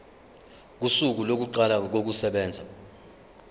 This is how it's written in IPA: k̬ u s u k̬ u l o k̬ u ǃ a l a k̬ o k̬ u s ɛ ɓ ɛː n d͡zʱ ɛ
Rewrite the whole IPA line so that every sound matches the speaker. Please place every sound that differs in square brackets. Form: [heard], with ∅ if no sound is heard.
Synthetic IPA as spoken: k̬ u s u k̬ u l o k̬ u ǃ a l a k̬ o k̬ u s ɛ ɓ ɛː n d͡zʱ [a]